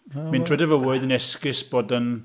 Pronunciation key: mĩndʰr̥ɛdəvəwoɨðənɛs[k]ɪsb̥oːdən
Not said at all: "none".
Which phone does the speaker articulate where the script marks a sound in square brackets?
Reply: k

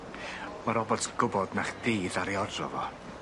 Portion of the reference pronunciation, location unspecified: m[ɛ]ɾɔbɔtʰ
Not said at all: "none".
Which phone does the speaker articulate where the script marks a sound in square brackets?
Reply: a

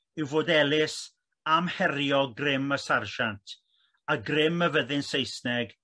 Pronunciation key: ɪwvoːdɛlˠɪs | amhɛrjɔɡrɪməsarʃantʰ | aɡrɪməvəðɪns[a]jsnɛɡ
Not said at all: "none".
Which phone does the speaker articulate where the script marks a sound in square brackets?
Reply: e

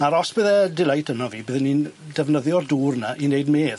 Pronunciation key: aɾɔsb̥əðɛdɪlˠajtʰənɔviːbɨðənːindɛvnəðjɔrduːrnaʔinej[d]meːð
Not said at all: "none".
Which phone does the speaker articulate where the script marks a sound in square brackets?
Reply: d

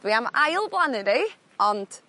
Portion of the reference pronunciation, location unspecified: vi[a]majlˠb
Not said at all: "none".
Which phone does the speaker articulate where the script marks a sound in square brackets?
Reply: a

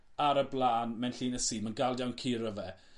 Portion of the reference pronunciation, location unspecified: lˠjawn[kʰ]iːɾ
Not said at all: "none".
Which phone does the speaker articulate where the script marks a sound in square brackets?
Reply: kʰ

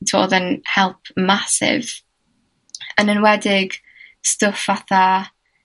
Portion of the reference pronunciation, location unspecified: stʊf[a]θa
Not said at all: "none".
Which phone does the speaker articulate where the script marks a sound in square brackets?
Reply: a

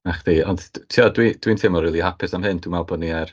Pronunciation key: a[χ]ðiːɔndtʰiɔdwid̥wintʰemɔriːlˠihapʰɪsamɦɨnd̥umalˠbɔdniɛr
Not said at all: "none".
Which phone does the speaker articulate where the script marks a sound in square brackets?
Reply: χ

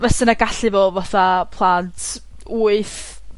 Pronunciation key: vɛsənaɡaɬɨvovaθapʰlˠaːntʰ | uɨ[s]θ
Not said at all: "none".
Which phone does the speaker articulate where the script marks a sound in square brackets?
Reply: none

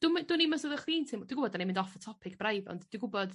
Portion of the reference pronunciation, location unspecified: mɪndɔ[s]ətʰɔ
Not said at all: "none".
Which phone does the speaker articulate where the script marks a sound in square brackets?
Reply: f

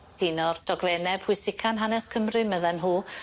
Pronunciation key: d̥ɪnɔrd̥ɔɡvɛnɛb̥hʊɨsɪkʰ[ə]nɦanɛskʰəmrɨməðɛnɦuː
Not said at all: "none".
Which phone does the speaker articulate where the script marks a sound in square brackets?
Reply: a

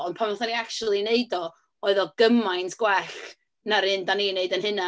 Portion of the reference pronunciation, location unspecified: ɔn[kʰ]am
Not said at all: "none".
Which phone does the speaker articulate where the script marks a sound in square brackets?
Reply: pʰ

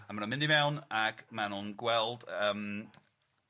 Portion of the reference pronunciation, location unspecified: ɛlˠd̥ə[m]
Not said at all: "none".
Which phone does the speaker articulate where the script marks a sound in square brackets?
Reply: m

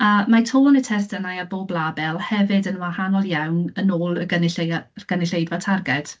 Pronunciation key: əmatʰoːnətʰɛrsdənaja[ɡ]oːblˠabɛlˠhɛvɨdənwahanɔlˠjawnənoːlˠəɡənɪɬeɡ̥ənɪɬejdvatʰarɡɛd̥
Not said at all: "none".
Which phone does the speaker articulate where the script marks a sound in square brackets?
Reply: b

